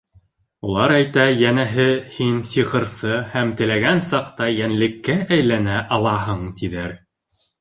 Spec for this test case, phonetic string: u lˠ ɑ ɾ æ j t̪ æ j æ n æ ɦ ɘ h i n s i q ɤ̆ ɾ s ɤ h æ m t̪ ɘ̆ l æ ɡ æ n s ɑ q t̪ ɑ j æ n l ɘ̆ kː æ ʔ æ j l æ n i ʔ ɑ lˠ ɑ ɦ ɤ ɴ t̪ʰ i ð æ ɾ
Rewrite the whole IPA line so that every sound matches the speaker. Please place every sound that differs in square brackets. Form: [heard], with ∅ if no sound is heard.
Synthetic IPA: u lˠ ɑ ɾ æ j t̪ æ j æ n æ ɦ ɘ h i n s i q ɤ̆ ɾ s ɤ h æ m t̪ ɘ̆ l æ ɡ æ n s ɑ q t̪ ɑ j æ n l ɘ̆ kː æ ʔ æ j l æ n [æ] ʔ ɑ lˠ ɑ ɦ ɤ ɴ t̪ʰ i ð æ ɾ